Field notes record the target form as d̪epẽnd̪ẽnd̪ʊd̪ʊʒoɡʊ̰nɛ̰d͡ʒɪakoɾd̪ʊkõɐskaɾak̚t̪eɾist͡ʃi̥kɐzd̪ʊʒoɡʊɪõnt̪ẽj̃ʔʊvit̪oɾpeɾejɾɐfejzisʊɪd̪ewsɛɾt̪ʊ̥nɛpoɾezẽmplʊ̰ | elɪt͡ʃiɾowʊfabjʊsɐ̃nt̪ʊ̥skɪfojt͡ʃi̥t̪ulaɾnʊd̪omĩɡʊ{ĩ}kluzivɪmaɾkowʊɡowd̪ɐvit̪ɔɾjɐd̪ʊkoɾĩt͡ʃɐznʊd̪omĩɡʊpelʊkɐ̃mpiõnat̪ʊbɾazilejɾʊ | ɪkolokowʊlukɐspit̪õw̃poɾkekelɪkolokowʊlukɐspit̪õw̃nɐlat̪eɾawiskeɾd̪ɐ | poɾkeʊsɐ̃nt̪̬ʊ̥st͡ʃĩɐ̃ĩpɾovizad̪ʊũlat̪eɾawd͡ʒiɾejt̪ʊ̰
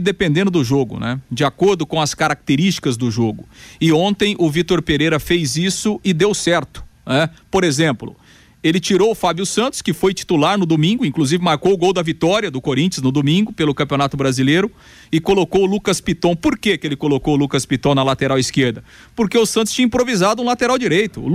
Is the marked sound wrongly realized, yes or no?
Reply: no